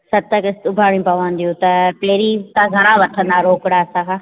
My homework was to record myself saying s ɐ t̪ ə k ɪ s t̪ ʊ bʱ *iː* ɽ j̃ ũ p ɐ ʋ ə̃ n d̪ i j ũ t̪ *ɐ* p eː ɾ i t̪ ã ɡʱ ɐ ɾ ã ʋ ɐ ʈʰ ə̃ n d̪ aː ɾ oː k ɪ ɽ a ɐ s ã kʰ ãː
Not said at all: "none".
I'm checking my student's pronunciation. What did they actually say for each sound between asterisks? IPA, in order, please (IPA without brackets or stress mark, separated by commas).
aː, ɐ